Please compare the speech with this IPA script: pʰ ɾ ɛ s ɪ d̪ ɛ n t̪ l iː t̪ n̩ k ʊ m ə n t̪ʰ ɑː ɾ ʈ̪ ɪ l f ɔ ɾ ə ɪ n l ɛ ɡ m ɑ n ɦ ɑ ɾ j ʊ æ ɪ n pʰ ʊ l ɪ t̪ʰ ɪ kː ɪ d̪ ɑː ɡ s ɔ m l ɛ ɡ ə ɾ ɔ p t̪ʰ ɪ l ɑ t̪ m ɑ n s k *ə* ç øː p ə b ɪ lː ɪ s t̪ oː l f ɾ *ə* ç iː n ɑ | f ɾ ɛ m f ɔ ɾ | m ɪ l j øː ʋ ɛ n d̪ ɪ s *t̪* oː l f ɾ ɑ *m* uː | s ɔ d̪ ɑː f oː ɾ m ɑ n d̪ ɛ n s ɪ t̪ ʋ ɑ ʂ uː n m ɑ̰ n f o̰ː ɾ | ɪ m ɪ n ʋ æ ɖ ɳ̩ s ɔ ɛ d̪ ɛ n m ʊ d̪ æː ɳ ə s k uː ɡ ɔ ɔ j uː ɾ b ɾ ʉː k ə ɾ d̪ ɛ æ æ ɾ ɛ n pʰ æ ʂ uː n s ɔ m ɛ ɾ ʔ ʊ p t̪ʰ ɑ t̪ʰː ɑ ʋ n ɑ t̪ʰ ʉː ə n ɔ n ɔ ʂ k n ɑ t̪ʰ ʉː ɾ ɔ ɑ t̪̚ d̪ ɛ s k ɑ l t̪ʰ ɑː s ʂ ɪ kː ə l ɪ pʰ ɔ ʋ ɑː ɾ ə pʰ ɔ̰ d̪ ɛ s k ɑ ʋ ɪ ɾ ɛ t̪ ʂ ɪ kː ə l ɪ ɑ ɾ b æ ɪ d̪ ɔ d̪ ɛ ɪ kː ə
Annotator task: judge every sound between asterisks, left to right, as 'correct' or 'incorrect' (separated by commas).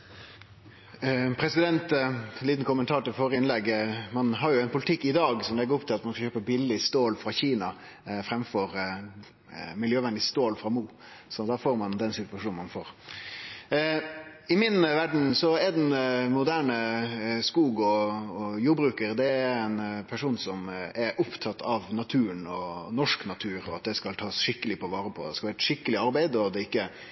incorrect, incorrect, correct, correct